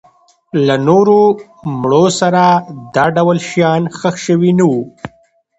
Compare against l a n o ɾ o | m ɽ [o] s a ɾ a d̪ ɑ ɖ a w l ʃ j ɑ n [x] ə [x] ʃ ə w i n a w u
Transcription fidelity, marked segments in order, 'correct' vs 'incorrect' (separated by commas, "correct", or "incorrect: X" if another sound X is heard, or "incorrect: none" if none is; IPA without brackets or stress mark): correct, correct, correct